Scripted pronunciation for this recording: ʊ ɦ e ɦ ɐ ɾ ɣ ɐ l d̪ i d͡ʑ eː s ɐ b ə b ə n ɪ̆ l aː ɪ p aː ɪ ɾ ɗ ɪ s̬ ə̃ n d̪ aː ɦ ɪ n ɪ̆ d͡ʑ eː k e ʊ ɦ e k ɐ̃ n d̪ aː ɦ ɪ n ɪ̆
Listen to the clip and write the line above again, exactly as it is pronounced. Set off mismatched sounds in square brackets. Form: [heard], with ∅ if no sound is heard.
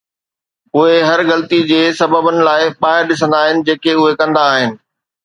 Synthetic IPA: ʊ ɦ e ɦ ɐ ɾ ɣ ɐ l [t̪] i d͡ʑ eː s ɐ b ə b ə n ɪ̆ l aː ɪ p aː ɪ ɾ ɗ ɪ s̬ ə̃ n d̪ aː ɦ ɪ n ɪ̆ d͡ʑ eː k e ʊ ɦ e k ɐ̃ n d̪ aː ɦ ɪ n ɪ̆